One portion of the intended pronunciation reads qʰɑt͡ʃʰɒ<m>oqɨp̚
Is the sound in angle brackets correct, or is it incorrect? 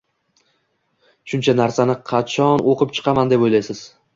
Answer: incorrect: n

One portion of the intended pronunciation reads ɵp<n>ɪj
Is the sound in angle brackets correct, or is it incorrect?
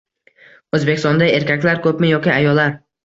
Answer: incorrect: m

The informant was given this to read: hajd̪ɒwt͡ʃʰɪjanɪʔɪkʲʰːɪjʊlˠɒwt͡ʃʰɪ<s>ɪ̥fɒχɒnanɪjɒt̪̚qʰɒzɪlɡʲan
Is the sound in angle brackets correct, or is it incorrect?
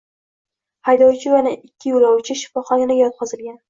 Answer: incorrect: ʃ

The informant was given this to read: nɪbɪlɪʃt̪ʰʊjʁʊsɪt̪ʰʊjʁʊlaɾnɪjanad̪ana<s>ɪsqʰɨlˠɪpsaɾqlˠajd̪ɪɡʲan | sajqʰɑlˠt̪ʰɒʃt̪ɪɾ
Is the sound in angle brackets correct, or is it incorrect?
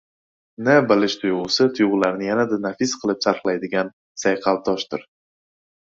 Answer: incorrect: f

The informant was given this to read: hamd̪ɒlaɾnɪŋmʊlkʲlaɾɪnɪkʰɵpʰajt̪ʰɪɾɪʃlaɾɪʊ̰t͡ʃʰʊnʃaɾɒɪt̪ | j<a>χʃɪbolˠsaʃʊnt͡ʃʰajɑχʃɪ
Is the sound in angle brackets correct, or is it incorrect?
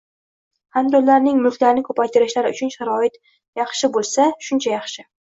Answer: incorrect: ɑ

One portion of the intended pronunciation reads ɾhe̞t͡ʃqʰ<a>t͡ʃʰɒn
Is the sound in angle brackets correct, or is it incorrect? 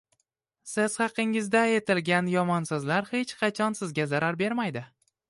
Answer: incorrect: ɑ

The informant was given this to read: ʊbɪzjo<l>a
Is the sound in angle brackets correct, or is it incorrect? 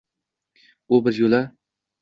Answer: correct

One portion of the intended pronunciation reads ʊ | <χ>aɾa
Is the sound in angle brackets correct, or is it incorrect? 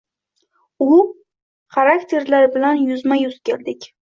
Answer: correct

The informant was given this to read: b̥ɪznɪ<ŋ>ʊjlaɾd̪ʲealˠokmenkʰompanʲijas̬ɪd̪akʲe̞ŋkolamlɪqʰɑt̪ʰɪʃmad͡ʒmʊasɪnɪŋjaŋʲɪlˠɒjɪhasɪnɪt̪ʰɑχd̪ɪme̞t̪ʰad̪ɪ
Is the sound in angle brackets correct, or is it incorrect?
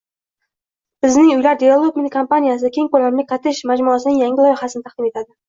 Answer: correct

